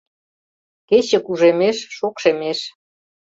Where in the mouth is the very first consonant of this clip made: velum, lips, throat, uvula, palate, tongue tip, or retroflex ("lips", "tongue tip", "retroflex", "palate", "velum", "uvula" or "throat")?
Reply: velum